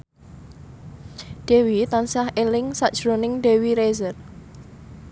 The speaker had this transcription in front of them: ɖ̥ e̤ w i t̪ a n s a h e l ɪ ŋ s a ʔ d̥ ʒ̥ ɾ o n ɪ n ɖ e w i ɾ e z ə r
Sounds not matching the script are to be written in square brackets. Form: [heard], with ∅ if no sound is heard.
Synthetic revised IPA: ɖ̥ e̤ w i t̪ a n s a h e l ɪ ŋ s a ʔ d̥ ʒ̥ ɾ o n ɪ [ŋ] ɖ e w i ɾ e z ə r